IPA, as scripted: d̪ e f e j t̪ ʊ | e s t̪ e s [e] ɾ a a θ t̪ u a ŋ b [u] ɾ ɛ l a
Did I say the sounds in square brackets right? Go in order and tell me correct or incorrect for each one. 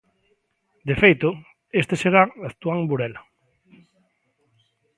correct, correct

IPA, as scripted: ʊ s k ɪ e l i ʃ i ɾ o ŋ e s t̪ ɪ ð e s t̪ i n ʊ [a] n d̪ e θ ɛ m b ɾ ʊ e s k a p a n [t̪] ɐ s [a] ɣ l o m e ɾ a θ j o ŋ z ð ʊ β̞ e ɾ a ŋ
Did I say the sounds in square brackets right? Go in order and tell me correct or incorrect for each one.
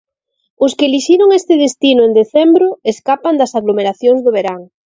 incorrect: e, incorrect: d̪, correct

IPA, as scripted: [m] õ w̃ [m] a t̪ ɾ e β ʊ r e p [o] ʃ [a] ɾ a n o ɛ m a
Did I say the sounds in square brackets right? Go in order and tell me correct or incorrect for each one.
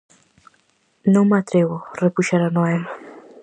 incorrect: n, correct, incorrect: u, correct

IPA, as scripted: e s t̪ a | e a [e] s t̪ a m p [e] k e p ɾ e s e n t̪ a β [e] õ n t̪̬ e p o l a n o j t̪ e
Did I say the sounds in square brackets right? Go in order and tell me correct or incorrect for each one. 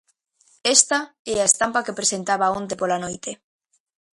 correct, incorrect: a, incorrect: a

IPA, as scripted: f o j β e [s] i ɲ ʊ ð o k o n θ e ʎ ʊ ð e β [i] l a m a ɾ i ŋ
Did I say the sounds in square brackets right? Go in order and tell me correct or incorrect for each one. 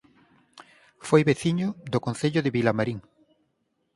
incorrect: θ, correct

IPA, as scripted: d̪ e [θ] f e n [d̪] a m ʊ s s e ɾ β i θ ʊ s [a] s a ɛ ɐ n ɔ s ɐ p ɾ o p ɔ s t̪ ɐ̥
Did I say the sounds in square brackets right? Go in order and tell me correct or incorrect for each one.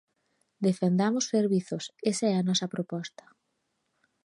incorrect: none, correct, incorrect: e

